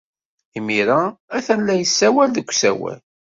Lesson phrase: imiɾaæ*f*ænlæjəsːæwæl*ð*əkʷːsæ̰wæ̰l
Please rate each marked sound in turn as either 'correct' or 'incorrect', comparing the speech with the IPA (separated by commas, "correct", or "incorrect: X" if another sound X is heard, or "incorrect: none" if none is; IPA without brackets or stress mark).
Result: incorrect: θ, correct